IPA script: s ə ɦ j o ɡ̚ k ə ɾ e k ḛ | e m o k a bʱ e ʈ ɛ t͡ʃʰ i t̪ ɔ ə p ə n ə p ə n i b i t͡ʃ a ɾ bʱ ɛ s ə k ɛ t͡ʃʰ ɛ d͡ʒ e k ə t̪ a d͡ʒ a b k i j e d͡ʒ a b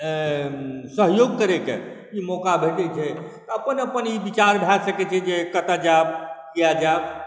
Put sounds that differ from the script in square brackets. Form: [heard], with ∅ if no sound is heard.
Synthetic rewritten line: s ə ɦ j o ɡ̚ k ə ɾ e k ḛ | [i] m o k a bʱ e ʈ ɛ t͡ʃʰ [ɛ] t̪ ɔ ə p ə n ə p ə n i b i t͡ʃ a ɾ bʱ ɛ s ə k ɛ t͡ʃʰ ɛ d͡ʒ e k ə t̪ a d͡ʒ a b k i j [a] d͡ʒ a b